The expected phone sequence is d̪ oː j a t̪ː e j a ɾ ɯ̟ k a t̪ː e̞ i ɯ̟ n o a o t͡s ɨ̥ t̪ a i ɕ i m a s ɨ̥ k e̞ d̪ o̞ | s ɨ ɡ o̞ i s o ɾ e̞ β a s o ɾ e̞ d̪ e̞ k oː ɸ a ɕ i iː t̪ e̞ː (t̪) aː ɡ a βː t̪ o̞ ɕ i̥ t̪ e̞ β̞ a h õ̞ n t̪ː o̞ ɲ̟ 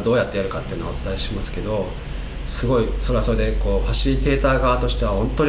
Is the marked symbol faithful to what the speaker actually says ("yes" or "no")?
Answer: yes